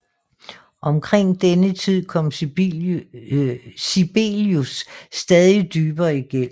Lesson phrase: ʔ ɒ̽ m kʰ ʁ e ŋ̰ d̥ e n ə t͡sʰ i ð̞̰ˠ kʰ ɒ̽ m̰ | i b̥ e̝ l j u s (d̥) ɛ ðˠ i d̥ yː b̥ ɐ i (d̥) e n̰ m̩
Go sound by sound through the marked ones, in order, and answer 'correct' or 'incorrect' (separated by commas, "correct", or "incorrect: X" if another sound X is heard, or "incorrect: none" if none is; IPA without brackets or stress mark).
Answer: correct, incorrect: ɡ̥